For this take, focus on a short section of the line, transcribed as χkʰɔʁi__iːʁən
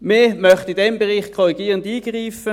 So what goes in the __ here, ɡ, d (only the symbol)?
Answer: ɡ